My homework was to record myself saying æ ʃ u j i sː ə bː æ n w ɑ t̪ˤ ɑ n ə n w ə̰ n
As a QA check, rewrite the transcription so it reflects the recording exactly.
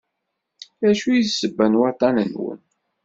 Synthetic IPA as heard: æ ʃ u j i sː ə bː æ n w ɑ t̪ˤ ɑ n ə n w ə̰ n